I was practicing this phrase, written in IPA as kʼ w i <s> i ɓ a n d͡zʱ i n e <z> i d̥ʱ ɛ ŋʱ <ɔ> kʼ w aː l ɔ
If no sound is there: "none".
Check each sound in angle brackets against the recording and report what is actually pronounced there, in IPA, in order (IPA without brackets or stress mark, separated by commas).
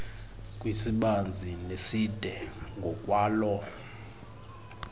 s, s, ɔ